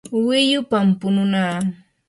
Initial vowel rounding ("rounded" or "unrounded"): unrounded